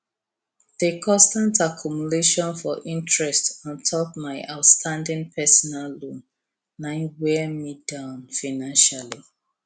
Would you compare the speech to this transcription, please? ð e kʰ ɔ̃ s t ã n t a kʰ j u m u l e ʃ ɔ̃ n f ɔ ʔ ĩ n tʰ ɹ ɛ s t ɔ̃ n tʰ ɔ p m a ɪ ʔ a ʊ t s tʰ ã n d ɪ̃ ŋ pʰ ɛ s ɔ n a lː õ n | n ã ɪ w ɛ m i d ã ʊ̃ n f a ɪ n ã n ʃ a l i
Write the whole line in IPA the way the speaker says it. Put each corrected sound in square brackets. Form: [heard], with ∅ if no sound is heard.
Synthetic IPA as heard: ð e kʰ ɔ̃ s t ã n t a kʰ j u m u l e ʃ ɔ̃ n f ɔ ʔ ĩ n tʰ ɹ ɛ s t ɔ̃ n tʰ ɔ p m a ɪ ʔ a ʊ t s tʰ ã n d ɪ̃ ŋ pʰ ɛ s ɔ n a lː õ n | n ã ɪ w ɛ m i d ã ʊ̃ n f a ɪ n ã n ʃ a l i